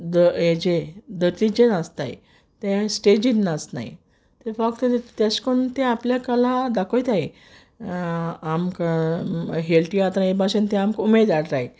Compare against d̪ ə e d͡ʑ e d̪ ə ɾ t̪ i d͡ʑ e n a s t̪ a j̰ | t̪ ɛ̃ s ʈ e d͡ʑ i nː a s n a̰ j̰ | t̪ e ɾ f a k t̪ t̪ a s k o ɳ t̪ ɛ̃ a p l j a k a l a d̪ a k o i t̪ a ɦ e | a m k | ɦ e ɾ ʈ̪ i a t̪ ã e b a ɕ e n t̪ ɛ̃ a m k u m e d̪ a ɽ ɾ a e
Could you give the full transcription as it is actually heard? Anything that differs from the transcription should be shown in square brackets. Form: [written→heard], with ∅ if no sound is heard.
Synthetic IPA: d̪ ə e d͡ʑ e d̪ ə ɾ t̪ i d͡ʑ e n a s t̪ a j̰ | t̪ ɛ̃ s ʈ e d͡ʑ i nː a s n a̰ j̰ | t̪ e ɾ f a k t̪ t̪ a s k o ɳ t̪ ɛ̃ a p l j a k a l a d̪ a k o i t̪ a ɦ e | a m k | ɦ e [ɾ→l] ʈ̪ i a t̪ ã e b a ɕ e n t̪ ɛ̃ a m k u m e d̪ a ɽ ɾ a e